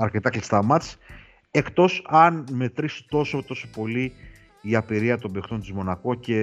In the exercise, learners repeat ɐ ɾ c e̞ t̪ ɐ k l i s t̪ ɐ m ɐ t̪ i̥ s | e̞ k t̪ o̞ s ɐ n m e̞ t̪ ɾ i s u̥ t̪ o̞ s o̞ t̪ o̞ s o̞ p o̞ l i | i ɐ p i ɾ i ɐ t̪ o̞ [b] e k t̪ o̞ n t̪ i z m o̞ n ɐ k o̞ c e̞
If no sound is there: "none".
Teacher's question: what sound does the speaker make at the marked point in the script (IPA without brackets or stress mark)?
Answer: b